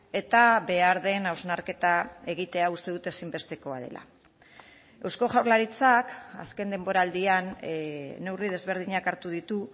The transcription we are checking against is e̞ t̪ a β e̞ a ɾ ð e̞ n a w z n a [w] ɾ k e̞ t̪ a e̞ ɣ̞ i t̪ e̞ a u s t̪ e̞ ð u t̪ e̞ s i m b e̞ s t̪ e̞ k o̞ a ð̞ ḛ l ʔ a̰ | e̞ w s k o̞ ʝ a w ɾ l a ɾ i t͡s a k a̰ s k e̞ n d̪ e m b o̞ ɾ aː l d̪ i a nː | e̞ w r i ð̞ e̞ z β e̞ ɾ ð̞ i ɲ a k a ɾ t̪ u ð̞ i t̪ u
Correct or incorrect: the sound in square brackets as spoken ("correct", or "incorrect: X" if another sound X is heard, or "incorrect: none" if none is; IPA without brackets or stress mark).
incorrect: none